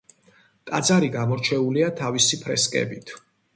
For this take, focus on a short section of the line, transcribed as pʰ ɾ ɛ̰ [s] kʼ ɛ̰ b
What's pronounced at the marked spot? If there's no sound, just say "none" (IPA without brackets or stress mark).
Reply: s